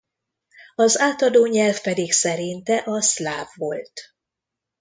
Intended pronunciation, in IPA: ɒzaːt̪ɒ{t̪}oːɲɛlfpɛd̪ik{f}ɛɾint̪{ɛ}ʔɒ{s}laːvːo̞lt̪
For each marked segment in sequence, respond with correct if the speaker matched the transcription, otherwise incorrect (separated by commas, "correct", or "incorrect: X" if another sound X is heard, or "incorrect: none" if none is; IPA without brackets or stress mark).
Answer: incorrect: d̪, incorrect: s, correct, correct